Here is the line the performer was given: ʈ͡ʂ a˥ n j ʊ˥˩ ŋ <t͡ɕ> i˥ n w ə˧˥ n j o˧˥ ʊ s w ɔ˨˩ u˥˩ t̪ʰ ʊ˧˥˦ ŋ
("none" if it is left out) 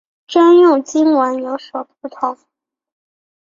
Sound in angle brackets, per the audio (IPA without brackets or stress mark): t͡ɕ